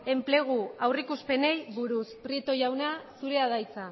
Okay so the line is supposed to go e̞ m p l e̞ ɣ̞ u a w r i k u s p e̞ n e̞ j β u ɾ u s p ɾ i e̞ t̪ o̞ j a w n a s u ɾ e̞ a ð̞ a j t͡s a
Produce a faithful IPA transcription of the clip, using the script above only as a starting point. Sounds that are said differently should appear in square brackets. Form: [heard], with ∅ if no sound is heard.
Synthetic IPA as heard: e̞ m p l e̞ ɣ̞ u a w r i k u s p e̞ n e̞ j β u ɾ u s p ɾ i e̞ t̪ o̞ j a w n a s u ɾ e̞ a ð̞ a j t͡s a